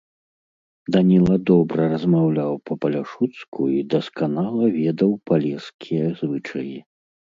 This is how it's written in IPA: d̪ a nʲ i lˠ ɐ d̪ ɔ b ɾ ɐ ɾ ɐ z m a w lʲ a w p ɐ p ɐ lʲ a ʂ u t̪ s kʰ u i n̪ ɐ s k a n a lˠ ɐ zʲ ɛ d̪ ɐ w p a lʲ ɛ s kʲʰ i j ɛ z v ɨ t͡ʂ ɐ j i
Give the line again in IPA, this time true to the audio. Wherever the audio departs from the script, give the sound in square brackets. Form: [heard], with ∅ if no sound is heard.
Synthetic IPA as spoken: d̪ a nʲ i lˠ ɐ d̪ ɔ b ɾ ɐ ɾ ɐ z m a w lʲ a w p ɐ p ɐ lʲ a ʂ u t̪ s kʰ u i [d̪] ɐ s k a n a lˠ ɐ [vʲ] ɛ d̪ ɐ w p a lʲ ɛ s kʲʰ i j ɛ z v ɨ t͡ʂ ɐ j i